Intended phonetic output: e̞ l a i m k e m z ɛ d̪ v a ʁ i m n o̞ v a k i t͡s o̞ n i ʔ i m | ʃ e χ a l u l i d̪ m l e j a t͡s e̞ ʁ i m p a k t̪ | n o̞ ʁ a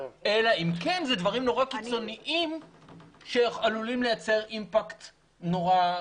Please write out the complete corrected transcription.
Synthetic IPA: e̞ l a i m k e n z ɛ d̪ v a ʁ i m n o̞ ʁ a k i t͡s o̞ n i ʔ i m | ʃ e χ a l u l i m l e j a t͡s e̞ ʁ i m p a k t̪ | n o̞ ʁ a

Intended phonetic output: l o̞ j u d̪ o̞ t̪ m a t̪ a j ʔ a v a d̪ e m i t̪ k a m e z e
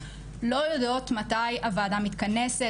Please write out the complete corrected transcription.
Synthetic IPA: l o̞ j o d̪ o̞ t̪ m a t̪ a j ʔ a v a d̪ a m i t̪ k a n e s e

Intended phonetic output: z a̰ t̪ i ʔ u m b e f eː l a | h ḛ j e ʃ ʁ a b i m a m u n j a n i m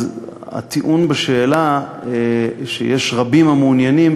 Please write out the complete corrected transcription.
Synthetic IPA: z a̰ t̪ i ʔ u n b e ʃ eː l a | ʃ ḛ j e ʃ ʁ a b i m a m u n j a n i m

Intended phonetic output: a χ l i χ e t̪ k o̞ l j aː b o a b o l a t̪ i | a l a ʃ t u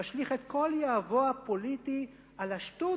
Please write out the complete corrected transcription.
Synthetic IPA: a ʃ l i χ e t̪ k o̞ l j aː v o a p o l i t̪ i | a l a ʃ t u

